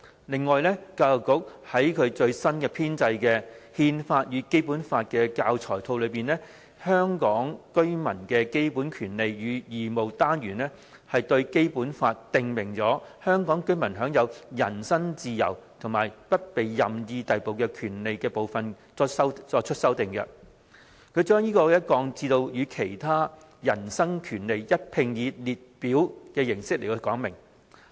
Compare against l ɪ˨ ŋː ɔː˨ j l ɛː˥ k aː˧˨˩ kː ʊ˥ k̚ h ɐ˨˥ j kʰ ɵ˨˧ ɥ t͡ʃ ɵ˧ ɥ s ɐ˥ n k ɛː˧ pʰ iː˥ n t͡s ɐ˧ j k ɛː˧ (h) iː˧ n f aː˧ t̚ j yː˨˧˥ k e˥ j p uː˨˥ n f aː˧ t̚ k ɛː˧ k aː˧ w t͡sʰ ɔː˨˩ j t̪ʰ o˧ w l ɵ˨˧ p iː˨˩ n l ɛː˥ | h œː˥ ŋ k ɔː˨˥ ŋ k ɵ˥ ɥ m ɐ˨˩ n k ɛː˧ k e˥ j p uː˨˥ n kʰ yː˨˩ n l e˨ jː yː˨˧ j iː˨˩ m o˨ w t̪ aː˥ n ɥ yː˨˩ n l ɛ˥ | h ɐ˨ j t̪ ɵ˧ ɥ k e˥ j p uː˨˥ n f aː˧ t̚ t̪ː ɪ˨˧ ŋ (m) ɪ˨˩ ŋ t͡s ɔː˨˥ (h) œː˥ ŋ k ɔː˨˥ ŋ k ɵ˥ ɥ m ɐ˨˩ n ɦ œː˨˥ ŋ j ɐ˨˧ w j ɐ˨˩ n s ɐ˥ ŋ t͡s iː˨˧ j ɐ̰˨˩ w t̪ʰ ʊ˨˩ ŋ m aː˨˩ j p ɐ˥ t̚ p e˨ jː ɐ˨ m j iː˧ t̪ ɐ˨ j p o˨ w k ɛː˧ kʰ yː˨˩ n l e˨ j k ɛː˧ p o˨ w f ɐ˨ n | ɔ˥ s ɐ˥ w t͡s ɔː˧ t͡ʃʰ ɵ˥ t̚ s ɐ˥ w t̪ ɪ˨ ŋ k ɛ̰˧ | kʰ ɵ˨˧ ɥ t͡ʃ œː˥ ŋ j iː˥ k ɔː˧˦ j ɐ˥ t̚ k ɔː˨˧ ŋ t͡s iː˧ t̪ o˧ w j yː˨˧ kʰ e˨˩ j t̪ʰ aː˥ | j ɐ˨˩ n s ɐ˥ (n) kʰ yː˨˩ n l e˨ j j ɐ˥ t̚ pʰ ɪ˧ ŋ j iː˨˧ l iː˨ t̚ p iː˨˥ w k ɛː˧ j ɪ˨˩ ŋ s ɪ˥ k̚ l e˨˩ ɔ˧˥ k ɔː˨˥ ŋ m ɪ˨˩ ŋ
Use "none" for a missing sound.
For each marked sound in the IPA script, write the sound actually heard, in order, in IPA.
h, m, h, ŋ

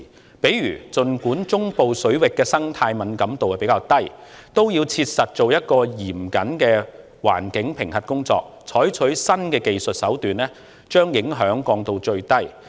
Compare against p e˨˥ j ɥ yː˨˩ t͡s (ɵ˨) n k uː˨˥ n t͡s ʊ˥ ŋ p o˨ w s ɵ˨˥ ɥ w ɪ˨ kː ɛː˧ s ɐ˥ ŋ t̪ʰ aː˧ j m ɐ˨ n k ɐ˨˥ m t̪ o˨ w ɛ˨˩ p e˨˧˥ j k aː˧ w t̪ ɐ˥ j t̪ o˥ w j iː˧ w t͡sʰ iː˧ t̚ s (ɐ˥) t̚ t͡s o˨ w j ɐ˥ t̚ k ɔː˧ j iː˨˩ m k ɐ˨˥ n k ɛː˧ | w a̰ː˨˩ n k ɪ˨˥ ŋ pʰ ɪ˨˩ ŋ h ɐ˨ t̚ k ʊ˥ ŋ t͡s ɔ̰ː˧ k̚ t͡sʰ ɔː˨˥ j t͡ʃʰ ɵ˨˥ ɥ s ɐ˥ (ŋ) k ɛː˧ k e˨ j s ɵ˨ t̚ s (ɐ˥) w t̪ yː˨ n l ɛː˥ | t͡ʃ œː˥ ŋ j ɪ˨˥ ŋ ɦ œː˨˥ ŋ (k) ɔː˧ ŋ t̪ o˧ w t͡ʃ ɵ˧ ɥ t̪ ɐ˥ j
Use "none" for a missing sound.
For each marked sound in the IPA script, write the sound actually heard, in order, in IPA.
ɵ˨, ɐ˨, n, ɐ˨˥, k

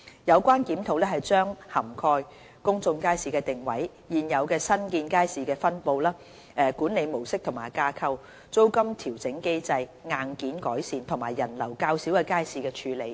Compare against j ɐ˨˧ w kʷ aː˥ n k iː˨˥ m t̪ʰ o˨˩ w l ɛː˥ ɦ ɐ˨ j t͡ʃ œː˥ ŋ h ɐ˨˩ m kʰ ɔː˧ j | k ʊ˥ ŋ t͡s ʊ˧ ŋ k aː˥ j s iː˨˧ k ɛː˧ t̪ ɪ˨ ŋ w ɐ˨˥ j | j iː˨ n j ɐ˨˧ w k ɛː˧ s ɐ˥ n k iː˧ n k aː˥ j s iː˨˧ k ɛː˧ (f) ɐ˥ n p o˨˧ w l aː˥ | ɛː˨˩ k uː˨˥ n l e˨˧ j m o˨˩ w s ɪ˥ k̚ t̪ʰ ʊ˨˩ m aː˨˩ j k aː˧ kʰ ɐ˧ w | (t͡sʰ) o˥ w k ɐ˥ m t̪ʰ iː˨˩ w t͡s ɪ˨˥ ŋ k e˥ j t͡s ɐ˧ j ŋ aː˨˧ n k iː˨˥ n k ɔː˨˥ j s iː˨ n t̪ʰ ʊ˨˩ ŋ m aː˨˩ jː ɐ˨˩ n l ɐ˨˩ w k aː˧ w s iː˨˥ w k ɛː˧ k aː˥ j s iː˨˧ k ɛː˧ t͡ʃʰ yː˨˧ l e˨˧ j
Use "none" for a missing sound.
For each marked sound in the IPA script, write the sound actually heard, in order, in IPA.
f, t͡s

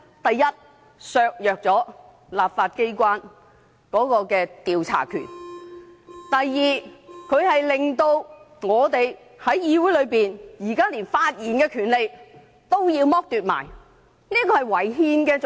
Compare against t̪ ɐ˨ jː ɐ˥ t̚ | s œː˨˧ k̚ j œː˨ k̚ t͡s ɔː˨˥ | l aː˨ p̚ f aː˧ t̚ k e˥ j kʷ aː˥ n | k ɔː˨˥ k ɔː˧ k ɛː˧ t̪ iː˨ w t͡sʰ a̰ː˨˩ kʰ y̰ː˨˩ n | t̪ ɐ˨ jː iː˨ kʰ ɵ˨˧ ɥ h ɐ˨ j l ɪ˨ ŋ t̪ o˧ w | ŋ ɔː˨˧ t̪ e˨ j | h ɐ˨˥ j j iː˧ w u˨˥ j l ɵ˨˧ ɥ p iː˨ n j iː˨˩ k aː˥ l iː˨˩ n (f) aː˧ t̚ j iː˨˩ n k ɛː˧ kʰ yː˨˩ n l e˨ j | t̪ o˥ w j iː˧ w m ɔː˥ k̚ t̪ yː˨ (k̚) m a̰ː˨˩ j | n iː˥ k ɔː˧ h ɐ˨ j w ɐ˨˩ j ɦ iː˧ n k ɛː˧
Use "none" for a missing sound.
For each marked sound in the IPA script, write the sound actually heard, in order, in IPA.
f, t̚

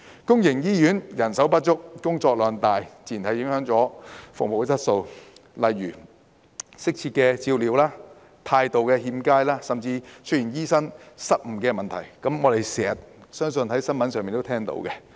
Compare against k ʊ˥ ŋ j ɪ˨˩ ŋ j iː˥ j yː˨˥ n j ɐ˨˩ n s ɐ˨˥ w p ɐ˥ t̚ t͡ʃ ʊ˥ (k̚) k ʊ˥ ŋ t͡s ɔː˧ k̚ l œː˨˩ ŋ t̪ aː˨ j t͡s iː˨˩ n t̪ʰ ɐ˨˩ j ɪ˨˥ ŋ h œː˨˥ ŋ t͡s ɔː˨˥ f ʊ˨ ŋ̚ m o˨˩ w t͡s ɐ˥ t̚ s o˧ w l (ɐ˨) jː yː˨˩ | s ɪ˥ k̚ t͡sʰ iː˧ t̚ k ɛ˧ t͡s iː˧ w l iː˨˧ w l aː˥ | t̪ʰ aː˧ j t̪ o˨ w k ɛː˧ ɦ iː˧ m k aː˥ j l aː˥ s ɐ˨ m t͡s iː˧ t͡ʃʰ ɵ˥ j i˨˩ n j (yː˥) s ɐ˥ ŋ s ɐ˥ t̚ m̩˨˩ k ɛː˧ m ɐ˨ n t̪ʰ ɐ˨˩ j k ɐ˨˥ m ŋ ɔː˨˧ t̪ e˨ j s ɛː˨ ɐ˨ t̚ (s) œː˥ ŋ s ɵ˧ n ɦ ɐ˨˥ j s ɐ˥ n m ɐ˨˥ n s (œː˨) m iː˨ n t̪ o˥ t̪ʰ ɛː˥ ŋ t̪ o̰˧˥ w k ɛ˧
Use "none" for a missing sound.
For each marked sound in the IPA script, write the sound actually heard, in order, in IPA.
k̚, ɐ˨, iː˥, s, œː˨

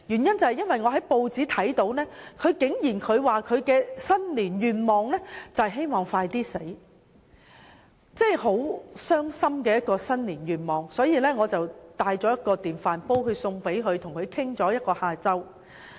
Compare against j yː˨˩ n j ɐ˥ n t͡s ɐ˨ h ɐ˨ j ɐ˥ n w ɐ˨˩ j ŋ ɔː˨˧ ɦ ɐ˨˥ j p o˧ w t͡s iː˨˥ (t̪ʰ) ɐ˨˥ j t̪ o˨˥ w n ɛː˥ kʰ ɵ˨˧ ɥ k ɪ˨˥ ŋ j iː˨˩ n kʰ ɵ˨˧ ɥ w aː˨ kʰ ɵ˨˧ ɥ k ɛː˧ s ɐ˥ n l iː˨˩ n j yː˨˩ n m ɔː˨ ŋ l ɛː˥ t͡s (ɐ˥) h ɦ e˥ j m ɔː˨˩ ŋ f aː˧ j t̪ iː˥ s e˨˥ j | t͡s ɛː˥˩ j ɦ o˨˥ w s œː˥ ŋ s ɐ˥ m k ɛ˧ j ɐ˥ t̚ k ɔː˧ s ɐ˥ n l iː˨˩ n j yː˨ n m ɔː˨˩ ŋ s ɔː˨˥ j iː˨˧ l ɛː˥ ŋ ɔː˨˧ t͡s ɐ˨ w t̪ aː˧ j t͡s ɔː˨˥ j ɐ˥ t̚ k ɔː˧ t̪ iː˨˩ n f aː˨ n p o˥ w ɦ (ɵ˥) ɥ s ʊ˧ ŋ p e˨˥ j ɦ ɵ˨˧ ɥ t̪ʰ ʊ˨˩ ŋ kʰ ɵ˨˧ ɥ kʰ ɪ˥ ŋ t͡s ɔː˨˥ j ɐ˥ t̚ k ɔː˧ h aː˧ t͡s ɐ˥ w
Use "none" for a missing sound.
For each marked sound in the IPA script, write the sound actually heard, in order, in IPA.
t̪ʰ, ɐ˨, ɵ˨˧

